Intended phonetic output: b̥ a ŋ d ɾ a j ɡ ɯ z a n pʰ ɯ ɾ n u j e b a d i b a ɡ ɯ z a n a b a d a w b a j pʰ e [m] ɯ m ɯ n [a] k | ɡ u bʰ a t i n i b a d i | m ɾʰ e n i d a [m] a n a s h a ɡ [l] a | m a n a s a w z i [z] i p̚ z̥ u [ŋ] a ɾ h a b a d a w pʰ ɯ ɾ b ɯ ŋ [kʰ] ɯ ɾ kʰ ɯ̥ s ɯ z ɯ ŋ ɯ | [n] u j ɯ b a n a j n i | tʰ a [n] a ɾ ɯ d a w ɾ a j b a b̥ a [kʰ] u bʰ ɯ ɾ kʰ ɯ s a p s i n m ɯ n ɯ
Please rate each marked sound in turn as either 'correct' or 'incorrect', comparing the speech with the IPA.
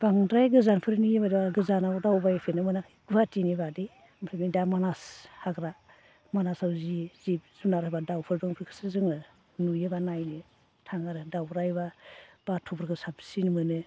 incorrect, correct, correct, incorrect, correct, incorrect, incorrect, correct, incorrect, incorrect

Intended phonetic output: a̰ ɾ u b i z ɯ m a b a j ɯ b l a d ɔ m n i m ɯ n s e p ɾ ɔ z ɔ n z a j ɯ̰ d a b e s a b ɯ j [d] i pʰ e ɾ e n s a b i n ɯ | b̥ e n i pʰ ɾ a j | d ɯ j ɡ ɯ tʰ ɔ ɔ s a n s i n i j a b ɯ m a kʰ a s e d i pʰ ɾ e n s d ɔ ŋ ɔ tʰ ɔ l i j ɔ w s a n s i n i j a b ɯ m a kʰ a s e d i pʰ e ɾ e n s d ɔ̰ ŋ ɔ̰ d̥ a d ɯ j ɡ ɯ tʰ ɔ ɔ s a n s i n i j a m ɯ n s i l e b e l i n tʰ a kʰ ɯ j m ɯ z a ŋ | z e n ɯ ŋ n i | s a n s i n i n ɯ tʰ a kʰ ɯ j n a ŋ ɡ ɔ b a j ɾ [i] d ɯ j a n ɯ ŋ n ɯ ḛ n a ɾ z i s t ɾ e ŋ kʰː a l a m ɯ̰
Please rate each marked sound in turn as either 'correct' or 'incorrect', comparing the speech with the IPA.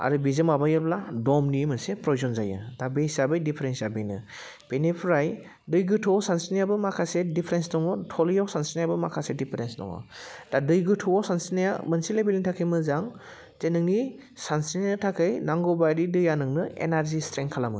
correct, correct

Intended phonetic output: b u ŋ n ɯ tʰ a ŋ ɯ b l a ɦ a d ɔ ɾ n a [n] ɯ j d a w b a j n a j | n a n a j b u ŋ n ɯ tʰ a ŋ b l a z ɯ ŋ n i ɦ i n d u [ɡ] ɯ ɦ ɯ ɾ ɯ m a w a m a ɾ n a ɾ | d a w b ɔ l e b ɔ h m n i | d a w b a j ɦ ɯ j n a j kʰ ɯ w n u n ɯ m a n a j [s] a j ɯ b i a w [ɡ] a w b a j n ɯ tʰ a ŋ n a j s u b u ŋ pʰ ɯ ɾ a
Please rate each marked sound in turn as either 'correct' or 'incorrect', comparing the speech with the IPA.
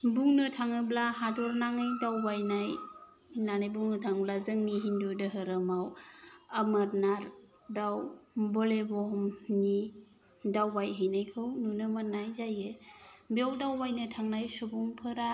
incorrect, incorrect, incorrect, incorrect

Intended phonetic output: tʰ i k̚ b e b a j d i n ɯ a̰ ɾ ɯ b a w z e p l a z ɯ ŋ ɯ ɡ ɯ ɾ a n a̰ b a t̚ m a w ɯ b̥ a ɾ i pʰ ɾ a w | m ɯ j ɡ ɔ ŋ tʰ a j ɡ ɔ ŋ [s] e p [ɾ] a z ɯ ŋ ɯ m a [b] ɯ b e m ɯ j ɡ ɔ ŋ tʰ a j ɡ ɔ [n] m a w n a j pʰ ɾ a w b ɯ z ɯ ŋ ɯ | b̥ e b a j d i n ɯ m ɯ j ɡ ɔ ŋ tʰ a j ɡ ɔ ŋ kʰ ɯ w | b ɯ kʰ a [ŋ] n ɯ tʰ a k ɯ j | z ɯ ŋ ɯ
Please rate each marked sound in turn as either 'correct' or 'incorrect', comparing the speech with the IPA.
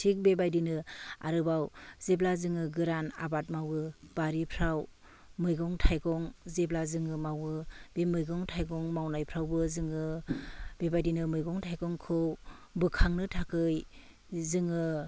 incorrect, incorrect, incorrect, incorrect, correct

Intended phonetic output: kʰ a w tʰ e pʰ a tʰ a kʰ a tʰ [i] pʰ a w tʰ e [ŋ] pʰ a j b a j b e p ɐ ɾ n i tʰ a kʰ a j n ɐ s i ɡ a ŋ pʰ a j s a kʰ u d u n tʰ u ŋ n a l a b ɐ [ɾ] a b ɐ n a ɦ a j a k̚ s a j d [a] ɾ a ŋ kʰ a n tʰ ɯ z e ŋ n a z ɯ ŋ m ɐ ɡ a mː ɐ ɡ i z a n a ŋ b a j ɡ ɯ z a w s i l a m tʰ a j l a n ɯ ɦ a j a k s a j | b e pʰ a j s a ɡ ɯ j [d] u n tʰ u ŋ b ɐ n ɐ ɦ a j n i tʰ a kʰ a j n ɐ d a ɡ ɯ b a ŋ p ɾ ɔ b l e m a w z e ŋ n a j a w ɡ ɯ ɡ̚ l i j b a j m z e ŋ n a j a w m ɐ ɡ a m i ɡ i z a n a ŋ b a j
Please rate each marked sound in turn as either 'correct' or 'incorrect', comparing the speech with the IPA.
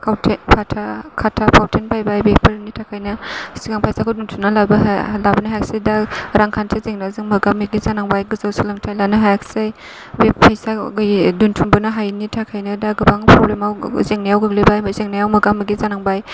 incorrect, incorrect, incorrect, correct, correct

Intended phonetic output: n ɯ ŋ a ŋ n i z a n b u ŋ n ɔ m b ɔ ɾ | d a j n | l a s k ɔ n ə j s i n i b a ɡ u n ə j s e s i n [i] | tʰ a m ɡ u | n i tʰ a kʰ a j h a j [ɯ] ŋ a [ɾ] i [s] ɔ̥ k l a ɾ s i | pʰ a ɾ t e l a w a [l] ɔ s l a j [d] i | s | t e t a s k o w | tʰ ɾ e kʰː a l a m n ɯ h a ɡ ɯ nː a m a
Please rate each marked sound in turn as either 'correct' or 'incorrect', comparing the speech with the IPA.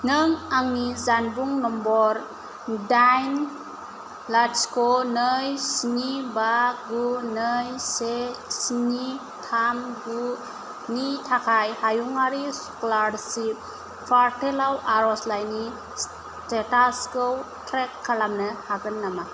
correct, incorrect, correct, correct, incorrect, incorrect

